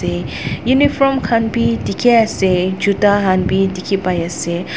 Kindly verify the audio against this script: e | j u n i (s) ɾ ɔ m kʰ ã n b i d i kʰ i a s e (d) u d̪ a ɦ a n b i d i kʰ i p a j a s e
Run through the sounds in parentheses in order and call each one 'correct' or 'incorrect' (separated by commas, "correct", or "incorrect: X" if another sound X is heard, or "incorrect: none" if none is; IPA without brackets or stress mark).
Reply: incorrect: f, incorrect: d͡ʒ